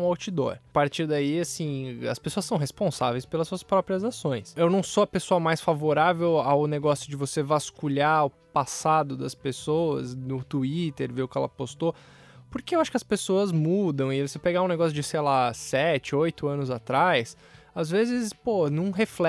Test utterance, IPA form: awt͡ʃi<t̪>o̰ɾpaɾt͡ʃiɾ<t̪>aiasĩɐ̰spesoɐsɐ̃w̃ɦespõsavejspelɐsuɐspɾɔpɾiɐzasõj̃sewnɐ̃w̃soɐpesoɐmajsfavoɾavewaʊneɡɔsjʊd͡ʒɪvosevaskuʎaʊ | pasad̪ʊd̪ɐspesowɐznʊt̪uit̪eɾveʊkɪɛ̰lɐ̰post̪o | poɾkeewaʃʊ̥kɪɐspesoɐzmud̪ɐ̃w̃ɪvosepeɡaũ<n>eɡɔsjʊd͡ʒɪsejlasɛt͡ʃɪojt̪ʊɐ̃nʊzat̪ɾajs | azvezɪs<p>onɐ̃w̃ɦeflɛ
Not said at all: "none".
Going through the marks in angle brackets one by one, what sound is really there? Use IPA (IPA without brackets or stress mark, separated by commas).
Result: d̪, d̪, n, p